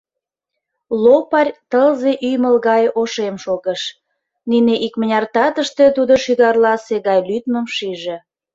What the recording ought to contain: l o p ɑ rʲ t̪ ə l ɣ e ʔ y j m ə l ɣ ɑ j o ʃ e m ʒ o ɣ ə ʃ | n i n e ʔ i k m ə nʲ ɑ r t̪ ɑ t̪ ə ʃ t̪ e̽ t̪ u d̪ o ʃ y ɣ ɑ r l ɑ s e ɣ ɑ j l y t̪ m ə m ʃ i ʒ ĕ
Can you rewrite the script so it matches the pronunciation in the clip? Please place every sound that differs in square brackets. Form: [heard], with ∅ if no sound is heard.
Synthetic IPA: l o p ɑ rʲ t̪ ə l [z] e ʔ y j m ə l ɣ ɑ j o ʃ e m [ʃ] o ɣ ə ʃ | n i n e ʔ i k m ə nʲ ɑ r t̪ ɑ t̪ ə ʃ t̪ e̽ t̪ u d̪ o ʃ y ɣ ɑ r l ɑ s e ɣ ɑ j l y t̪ m ə m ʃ i ʒ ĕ